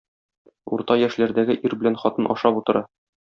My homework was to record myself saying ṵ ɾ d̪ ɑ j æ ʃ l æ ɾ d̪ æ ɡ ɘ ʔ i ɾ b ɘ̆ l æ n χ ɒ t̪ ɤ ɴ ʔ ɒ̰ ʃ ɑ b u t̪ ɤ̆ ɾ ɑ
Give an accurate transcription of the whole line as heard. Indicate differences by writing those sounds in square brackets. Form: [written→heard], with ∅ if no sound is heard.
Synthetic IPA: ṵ ɾ [d̪→t̪] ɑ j æ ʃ l æ ɾ d̪ æ ɡ ɘ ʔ i ɾ b ɘ̆ l æ n χ ɒ t̪ ɤ [ɴ→n] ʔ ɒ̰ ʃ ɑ [b→p] u t̪ ɤ̆ ɾ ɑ